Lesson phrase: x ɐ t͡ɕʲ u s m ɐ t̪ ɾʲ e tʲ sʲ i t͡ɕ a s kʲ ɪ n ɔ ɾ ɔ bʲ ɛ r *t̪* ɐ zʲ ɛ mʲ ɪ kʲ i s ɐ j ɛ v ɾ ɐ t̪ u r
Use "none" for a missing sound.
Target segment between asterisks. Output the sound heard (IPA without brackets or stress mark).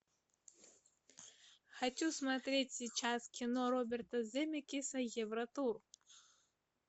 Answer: t̪